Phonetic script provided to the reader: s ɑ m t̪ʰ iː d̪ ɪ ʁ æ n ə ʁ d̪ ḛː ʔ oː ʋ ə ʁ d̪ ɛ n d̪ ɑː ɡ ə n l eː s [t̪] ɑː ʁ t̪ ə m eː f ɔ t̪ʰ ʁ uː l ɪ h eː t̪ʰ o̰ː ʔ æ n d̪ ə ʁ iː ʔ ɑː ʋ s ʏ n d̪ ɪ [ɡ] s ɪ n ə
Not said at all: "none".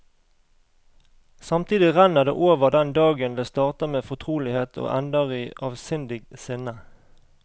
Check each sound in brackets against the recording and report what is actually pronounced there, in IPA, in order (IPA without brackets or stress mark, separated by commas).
t̪, ɡ